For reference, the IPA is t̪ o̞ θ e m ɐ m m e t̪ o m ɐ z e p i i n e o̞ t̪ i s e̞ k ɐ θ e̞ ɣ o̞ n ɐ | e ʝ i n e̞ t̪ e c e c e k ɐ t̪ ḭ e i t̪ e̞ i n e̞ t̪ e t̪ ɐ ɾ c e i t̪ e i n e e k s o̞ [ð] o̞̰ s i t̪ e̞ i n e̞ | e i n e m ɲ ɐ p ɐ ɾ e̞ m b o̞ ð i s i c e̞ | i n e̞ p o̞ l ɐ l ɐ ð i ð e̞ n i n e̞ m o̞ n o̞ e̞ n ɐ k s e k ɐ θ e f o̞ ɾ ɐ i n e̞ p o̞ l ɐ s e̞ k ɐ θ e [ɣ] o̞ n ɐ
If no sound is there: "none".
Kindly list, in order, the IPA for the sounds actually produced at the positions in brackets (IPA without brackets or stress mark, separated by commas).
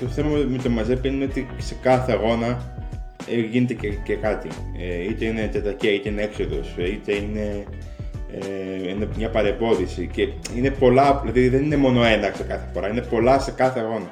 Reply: ð, ɣ